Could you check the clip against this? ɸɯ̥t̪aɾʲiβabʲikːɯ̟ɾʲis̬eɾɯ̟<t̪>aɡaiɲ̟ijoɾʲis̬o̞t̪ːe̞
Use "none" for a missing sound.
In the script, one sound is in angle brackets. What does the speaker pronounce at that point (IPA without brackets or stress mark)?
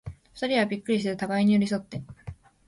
t̪